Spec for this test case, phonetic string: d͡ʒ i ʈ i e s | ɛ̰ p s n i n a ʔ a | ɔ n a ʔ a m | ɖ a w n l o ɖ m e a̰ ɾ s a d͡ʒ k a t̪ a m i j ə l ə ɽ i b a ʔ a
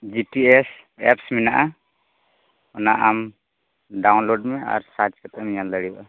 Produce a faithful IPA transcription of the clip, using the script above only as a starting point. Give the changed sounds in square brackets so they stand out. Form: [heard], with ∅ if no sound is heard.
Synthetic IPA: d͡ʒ i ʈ i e s | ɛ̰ p s [m] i n a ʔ a | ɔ n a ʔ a m | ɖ a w n l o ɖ m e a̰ ɾ s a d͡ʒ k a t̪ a m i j [a] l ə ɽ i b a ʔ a